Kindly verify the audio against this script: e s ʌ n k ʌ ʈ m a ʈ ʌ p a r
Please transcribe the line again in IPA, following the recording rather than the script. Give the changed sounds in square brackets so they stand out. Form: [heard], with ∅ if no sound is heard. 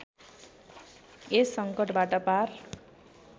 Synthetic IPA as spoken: e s ʌ [ŋ] k ʌ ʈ [b] a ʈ ʌ p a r